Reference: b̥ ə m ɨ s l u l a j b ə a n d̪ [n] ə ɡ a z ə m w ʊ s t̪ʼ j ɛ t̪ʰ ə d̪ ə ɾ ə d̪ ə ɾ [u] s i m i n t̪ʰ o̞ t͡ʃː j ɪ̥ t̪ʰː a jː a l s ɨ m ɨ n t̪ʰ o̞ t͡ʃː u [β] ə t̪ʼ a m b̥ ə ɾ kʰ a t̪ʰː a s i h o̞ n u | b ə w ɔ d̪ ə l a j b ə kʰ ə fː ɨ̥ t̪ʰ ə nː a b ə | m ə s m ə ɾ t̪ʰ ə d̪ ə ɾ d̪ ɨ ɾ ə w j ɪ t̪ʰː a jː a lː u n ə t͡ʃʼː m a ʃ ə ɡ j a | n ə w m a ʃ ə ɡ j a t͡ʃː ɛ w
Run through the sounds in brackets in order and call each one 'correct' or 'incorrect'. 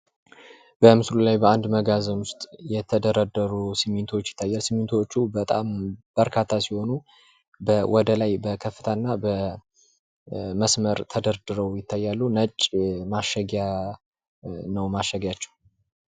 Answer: incorrect: m, correct, incorrect: b

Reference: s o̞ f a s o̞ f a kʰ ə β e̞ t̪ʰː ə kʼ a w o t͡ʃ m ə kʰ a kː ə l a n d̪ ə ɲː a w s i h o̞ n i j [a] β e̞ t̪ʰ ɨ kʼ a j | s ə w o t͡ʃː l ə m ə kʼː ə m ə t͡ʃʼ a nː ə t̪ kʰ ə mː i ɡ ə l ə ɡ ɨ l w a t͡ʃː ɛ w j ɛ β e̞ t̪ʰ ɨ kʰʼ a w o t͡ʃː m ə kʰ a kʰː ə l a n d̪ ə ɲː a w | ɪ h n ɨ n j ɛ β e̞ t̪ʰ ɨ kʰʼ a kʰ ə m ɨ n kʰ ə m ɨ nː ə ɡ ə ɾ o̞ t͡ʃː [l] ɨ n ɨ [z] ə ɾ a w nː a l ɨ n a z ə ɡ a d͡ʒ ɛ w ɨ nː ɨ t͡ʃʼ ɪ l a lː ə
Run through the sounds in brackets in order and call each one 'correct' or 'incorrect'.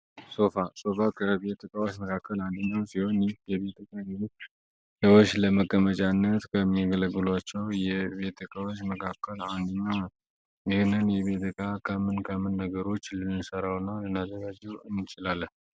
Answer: incorrect: ɛ, correct, incorrect: s

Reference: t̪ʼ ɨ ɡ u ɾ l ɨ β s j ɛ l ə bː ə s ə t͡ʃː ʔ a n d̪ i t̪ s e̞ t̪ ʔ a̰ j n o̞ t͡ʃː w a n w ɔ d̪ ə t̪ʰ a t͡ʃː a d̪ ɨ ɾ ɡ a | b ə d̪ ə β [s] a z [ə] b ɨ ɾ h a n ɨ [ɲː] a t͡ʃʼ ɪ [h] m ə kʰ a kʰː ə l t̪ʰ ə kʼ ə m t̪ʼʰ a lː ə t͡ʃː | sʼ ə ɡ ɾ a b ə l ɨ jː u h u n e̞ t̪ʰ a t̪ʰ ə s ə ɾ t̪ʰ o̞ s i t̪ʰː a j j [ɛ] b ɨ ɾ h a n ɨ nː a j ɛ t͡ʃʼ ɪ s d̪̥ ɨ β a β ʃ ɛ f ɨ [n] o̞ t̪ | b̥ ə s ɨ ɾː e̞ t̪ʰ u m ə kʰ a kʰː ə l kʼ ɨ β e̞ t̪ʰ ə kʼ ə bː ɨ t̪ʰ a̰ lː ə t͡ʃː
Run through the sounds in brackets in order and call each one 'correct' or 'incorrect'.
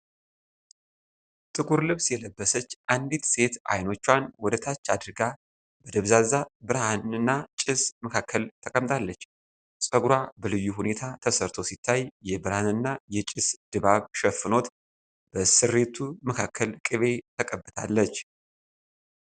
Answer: incorrect: z, incorrect: a, incorrect: nː, incorrect: s, correct, correct

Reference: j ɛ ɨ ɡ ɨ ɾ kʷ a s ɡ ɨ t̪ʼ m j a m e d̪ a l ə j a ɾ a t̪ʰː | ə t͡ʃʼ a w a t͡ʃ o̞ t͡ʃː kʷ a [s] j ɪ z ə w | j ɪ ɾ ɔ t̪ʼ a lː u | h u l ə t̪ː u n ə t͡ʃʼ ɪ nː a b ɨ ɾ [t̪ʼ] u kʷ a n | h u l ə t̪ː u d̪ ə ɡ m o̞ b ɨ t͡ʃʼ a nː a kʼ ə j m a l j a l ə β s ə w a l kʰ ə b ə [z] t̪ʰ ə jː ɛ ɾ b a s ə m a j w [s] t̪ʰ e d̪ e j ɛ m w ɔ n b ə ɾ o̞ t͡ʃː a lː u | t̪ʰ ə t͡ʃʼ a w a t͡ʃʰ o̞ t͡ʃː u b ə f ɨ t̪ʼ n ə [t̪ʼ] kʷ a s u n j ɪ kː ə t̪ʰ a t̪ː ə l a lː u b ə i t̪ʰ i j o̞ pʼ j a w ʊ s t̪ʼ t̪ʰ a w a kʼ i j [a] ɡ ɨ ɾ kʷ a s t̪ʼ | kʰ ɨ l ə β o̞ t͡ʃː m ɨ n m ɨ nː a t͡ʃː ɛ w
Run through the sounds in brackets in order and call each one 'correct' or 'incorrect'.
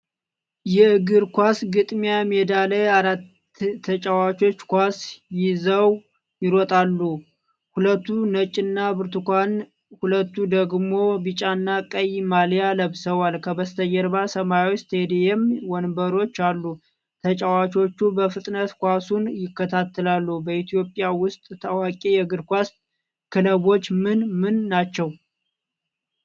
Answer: correct, incorrect: t̪, incorrect: s, correct, incorrect: t̪, incorrect: ɛ

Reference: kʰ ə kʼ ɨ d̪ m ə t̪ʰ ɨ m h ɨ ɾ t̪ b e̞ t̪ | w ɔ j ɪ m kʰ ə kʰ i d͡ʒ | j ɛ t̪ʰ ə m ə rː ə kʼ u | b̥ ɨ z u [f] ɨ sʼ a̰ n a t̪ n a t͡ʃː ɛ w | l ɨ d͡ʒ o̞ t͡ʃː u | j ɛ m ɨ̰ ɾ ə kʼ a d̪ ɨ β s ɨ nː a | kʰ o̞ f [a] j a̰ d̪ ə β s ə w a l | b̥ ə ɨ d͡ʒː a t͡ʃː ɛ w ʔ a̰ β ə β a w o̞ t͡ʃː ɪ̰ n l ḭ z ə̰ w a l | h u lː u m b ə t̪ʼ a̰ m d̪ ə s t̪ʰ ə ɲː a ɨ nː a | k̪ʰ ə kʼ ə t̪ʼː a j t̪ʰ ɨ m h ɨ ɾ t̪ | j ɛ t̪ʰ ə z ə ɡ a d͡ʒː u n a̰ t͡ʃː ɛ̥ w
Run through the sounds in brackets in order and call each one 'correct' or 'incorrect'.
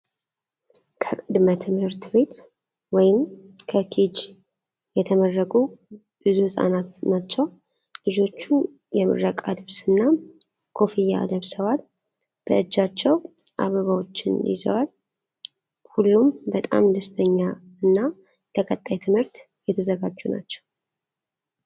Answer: incorrect: h, incorrect: i

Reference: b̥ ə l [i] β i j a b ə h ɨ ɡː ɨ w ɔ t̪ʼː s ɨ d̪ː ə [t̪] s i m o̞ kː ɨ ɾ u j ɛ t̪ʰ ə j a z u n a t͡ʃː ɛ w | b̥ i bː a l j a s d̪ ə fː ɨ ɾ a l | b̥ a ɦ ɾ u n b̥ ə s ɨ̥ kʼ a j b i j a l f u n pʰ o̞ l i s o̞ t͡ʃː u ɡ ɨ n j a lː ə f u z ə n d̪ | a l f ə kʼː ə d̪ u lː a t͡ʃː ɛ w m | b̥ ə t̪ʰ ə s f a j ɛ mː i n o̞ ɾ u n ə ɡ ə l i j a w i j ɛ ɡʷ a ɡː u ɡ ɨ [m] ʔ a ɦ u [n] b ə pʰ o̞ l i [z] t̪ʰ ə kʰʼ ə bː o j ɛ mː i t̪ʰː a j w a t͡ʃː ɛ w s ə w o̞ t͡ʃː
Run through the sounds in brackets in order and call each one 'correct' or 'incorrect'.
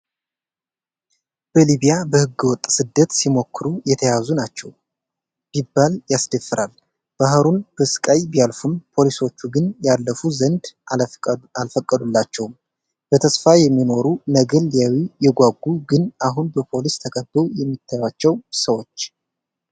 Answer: correct, correct, incorrect: n, correct, incorrect: s

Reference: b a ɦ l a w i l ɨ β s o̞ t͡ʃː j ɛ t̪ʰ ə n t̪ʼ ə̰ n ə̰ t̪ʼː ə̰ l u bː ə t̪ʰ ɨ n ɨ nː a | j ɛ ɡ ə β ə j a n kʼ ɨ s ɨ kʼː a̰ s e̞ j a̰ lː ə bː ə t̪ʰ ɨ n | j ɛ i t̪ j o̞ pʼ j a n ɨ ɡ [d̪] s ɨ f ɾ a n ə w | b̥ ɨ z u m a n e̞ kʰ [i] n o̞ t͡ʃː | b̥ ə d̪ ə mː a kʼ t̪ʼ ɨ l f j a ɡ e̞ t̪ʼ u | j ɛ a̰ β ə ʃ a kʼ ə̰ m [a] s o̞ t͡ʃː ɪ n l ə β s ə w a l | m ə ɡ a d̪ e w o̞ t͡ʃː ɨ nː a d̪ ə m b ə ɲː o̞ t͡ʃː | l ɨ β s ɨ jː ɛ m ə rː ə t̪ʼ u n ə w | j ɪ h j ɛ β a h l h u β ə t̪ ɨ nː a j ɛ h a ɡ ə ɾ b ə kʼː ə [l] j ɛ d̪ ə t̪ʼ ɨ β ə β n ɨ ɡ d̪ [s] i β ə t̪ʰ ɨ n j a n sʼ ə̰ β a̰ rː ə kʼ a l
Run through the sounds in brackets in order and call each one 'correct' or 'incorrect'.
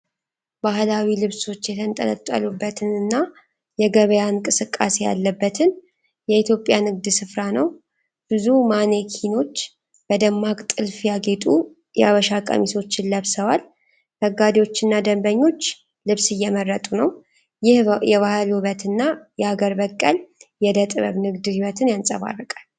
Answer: correct, correct, incorrect: i, correct, incorrect: h

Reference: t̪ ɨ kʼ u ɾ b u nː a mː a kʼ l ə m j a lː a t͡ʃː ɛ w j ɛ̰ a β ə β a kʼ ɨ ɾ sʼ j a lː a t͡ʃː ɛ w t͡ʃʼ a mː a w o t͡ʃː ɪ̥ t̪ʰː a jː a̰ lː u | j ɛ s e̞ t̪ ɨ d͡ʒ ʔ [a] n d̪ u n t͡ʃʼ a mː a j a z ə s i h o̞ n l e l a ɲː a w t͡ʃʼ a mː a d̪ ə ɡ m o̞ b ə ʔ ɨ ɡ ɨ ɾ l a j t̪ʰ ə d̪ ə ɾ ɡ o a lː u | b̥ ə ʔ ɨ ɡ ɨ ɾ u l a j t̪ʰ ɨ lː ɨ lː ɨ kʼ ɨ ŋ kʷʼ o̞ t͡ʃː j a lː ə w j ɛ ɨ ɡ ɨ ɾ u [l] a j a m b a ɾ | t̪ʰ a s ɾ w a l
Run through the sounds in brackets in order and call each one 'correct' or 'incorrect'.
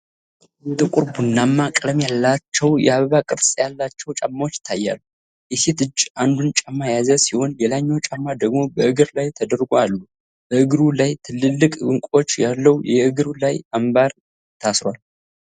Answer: correct, correct

